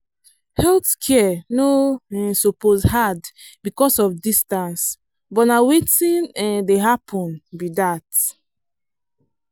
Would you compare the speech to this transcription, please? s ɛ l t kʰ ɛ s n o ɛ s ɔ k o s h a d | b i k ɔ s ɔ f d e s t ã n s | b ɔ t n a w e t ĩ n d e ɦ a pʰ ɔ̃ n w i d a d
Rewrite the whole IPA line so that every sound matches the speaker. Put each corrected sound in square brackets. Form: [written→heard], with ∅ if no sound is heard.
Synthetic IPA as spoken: [s→h] ɛ l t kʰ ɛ [s→∅] n o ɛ s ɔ [k→p] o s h a d | b i k ɔ s ɔ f d [e→i] s t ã n s | b ɔ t n a w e t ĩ n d e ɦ a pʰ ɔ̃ n [w→b] i d a [d→t]